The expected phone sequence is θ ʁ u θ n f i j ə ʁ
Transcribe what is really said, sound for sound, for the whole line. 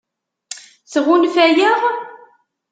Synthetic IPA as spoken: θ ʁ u n f æ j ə ʁ

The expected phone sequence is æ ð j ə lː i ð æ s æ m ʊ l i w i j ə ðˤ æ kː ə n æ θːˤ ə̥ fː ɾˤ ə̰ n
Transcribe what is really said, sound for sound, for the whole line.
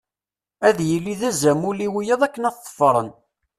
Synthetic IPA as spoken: æ ð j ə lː i ð æ z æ m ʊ l i w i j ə ðˤ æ kː ə n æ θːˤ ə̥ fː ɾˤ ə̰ n

